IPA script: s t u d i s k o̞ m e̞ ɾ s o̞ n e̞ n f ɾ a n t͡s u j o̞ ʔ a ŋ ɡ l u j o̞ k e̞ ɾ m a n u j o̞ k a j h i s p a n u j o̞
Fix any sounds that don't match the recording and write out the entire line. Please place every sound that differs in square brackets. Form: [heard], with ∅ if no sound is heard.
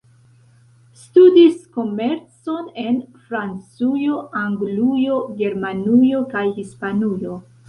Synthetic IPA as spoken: s t u d i s k o̞ m e̞ ɾ [t͡s] o̞ n e̞ n f ɾ a n t͡s u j o̞ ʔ a ŋ ɡ l u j o̞ [ɡ] e̞ ɾ m a n u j o̞ k a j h i s p a n u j o̞